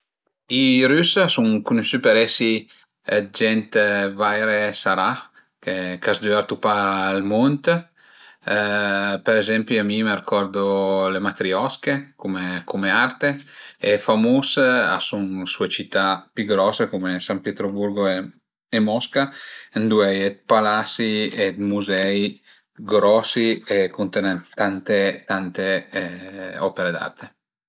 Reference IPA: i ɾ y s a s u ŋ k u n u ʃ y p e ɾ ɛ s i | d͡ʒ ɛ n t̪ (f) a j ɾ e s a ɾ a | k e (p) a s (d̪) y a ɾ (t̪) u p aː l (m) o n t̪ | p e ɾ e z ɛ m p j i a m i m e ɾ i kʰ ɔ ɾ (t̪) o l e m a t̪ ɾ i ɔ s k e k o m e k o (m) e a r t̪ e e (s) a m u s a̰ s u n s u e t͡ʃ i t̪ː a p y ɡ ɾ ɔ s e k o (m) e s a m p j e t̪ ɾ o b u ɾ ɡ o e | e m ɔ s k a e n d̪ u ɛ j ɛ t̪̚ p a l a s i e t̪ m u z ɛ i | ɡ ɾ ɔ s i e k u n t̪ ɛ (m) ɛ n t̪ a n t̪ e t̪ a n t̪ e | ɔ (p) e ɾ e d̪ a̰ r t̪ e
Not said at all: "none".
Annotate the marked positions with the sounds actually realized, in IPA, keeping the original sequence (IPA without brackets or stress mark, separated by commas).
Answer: v, k, d̪, t̪, m, d̪, m, f, m, n, p